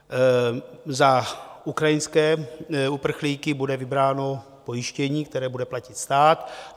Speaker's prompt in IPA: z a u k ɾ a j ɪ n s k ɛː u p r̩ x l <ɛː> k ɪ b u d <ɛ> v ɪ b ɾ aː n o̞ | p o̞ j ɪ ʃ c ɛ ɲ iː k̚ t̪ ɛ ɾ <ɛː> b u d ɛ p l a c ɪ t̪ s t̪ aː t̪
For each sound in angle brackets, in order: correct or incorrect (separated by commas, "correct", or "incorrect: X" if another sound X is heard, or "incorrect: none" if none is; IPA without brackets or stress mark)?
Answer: incorrect: iː, correct, correct